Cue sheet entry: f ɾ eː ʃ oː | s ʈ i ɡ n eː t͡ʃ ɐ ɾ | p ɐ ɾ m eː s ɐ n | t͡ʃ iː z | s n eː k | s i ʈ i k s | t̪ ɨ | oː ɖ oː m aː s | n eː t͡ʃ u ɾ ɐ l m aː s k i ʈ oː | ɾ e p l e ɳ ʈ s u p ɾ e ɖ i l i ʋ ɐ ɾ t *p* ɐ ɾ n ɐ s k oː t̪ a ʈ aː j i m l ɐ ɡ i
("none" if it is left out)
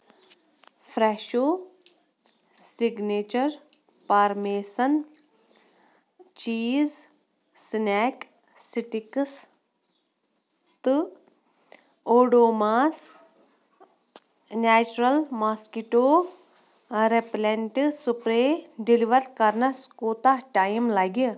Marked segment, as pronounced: k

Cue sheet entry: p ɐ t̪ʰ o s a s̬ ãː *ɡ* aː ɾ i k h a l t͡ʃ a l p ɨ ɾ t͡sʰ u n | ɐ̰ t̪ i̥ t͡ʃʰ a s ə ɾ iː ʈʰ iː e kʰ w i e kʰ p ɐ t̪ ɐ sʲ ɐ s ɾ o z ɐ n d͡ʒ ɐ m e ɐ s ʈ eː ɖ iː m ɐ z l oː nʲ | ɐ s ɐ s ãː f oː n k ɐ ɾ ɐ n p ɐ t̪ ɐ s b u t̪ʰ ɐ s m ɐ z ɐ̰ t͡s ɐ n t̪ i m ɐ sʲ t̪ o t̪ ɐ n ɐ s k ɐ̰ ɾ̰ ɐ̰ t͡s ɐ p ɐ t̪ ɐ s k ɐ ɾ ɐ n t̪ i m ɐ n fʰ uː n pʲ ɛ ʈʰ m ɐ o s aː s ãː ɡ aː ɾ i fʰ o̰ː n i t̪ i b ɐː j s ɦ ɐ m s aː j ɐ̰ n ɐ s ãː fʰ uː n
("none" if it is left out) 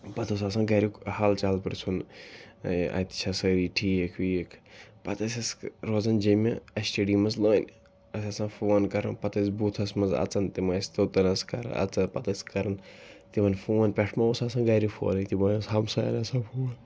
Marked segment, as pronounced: ɡ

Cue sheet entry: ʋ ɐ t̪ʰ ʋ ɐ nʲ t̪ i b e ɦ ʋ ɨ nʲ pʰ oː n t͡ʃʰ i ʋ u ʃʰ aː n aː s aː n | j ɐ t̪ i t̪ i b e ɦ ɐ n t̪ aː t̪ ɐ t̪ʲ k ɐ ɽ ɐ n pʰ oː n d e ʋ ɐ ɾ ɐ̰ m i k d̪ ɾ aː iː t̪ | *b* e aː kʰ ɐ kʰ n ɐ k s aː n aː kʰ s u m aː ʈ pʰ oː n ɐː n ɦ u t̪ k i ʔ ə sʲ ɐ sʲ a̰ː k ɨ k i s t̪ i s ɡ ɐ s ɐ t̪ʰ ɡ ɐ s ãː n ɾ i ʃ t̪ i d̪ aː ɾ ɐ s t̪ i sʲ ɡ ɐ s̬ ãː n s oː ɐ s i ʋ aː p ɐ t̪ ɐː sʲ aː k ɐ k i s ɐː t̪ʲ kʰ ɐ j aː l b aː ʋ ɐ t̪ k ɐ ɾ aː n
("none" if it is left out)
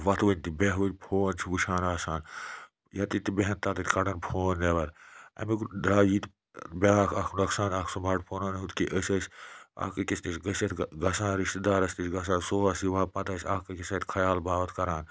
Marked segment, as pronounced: b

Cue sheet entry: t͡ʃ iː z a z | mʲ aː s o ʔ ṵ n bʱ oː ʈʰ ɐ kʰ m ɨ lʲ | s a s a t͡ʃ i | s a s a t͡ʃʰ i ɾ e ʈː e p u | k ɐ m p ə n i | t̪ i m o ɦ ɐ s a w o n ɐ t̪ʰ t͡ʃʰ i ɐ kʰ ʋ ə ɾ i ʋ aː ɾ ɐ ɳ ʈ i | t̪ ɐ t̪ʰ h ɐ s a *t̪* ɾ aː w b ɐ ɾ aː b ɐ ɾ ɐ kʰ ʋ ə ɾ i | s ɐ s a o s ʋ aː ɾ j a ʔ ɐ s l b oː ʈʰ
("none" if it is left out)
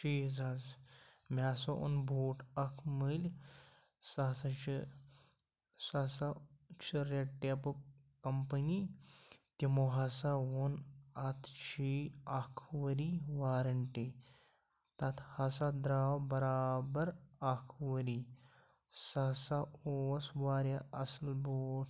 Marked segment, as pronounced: d̪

